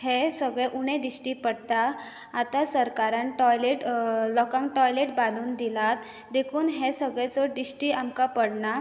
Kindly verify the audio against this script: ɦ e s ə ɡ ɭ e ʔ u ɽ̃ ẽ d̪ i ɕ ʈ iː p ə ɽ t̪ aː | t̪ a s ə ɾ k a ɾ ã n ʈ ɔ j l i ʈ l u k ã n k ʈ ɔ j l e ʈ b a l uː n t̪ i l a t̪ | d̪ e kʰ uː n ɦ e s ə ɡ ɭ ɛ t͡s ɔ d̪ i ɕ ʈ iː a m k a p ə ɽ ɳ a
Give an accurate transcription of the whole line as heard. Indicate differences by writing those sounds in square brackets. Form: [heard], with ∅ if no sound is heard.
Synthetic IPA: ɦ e s ə ɡ ɭ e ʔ u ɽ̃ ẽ d̪ i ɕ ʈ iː p ə ɽ t̪ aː | t̪ a s ə ɾ k a ɾ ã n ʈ ɔ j l [e] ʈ l [ɔ] k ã [ŋ] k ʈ ɔ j l e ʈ b a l uː n [d̪] i l a t̪ | d̪ e kʰ uː n ɦ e s ə ɡ ɭ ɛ t͡s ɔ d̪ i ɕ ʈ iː a m k a p ə ɽ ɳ a